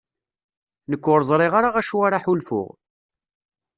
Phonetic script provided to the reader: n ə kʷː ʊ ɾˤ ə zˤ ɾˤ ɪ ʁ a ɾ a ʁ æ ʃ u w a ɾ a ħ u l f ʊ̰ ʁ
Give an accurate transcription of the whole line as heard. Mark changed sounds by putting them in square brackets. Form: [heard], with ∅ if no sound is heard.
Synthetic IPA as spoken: n ə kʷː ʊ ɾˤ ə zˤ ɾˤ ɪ ʁ a ɾ a ʁ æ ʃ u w a ɾ a ħ u l f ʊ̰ ʁ